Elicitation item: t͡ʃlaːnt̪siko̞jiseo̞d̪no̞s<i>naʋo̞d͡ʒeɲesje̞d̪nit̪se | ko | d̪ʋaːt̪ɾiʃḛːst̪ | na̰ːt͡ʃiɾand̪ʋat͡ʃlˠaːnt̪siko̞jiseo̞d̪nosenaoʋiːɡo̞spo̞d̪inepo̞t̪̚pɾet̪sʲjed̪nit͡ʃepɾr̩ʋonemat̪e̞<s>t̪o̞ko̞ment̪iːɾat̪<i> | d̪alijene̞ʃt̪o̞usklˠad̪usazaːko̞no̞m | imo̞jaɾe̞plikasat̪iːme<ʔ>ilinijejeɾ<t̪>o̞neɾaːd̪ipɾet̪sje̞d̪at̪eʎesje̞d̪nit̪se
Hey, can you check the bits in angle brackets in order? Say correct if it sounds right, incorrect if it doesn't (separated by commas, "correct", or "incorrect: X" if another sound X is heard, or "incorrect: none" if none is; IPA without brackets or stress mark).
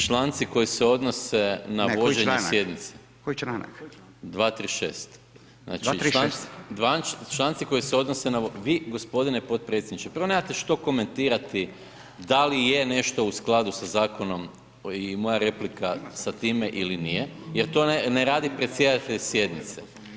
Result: incorrect: e, incorrect: ʃ, correct, correct, correct